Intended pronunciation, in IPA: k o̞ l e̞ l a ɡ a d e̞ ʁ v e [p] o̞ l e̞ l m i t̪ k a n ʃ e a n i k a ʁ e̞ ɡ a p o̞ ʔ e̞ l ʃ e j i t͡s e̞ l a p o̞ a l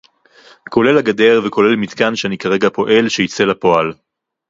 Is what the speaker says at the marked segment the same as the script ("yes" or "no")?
no